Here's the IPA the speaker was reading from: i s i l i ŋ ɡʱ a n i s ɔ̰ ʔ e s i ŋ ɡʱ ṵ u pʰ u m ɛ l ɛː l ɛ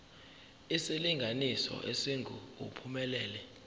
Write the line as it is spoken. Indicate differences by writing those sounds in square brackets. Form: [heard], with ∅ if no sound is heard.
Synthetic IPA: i s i l i ŋ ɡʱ a n i s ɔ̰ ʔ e s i ŋ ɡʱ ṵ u pʰ u m ɛ l ɛː l ɛ